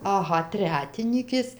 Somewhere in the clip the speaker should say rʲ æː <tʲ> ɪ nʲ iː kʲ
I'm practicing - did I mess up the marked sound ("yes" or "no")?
no